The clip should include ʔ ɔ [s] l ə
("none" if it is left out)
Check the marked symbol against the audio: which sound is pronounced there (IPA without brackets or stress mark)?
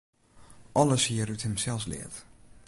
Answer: none